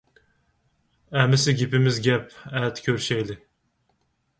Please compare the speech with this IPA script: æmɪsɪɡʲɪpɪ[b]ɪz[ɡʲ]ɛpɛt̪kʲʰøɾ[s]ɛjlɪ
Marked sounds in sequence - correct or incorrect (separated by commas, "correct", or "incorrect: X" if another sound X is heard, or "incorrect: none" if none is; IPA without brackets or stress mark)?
incorrect: m, correct, incorrect: ʃ